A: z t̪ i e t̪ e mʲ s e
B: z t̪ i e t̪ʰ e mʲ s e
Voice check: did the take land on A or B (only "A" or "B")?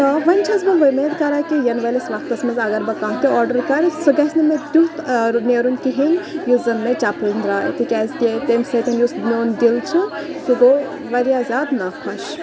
A